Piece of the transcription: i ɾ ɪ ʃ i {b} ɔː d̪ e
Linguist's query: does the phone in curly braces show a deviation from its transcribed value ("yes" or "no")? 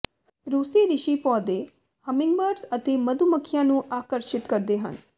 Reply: yes